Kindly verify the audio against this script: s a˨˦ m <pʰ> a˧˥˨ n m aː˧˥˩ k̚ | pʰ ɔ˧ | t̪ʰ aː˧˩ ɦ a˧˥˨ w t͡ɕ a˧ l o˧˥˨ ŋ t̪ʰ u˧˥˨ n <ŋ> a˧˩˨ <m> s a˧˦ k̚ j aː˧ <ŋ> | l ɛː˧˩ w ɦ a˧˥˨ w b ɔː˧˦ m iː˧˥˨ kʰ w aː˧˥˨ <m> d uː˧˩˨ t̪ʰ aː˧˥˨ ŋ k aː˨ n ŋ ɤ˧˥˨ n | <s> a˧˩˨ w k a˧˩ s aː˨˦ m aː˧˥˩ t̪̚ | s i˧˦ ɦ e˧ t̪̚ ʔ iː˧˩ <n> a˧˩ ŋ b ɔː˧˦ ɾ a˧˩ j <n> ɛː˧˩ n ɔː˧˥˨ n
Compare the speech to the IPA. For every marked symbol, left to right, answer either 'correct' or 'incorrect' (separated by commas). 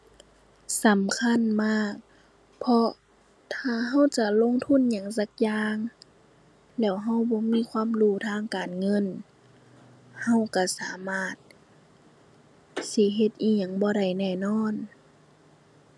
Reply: incorrect, incorrect, incorrect, correct, correct, incorrect, incorrect, correct